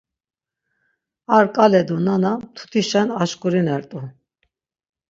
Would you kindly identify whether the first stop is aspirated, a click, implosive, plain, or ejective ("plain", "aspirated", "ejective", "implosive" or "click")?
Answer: ejective